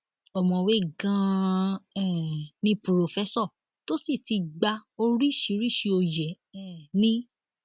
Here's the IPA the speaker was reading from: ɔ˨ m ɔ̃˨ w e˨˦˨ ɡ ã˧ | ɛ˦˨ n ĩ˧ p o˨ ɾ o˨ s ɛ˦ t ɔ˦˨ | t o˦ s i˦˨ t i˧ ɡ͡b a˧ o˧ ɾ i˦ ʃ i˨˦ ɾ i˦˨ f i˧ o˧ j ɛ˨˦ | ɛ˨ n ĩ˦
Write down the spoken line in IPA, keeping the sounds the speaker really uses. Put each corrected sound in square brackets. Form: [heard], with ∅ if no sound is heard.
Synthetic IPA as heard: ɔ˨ m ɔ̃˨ w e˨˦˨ ɡ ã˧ | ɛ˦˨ n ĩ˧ p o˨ ɾ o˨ [f] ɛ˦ [s] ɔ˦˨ | t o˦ s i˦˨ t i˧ ɡ͡b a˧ o˧ ɾ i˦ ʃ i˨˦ ɾ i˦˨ [ʃ] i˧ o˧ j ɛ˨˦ | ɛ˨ n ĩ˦